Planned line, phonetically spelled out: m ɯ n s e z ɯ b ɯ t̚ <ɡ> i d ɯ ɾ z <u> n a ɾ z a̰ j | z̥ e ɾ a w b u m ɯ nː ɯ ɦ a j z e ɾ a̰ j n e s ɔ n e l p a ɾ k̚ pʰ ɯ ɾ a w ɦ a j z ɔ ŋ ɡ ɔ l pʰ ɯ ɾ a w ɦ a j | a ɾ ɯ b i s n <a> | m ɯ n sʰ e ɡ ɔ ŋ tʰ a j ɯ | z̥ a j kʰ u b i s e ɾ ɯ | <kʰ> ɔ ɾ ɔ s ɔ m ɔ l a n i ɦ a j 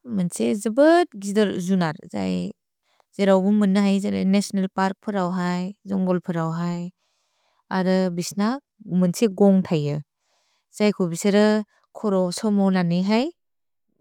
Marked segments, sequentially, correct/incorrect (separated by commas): correct, correct, correct, correct